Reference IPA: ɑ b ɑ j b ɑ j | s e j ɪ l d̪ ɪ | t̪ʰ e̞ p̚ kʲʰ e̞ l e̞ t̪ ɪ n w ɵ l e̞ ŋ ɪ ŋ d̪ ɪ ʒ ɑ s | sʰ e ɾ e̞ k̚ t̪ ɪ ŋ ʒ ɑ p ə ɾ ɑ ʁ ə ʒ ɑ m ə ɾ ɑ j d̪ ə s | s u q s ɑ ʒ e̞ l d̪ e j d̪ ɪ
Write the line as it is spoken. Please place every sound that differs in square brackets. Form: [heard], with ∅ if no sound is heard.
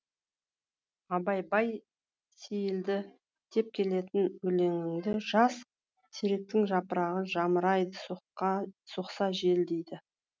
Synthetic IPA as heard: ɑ b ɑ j b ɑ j | s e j ɪ l d̪ ɪ | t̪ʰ e̞ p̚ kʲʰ e̞ l e̞ t̪ ɪ n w ɵ l e̞ ŋ ɪ ŋ d̪ ɪ ʒ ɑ s | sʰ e ɾ e̞ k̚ t̪ ɪ ŋ ʒ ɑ p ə ɾ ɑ ʁ ə ʒ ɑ m ə ɾ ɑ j d̪ ə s | s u q s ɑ ʒ e̞ l d̪ e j d̪ ɪ